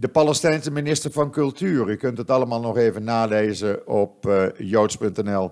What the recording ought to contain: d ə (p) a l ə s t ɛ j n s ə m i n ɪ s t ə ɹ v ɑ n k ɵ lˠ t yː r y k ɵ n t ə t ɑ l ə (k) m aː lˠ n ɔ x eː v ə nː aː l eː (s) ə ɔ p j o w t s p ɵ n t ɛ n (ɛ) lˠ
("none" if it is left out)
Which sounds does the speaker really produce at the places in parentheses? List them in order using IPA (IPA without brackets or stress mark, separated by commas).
p, none, z, ɛ